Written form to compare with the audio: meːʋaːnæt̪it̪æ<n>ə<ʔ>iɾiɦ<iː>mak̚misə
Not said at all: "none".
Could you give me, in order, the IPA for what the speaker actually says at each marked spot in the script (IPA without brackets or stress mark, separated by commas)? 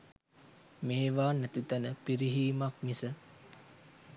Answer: n, p, iː